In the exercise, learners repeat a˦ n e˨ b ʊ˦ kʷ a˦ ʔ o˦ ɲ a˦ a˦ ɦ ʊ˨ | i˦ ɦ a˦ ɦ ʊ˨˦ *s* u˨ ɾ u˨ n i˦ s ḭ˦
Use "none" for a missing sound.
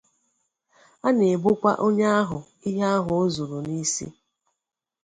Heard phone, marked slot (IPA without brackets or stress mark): z